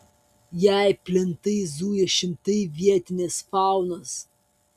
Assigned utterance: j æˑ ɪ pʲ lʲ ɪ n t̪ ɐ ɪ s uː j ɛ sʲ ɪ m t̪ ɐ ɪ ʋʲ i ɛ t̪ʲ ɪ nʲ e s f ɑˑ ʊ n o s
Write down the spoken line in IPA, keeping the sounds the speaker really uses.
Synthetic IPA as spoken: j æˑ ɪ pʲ lʲ ɪ n t̪ ɐ ɪ z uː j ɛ ʃʲ ɪ m t̪ ɐ ɪ ʋʲ i ɛ t̪ʲ ɪ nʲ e s f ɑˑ ʊ n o s